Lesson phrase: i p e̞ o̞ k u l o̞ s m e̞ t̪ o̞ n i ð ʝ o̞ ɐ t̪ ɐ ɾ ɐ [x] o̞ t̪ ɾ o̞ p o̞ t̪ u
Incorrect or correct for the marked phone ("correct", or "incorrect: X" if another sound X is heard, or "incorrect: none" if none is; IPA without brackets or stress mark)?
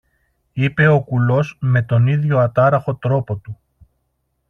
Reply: correct